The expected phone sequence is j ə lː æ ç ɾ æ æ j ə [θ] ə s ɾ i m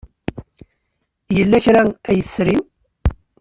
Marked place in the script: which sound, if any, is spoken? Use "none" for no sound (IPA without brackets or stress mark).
θ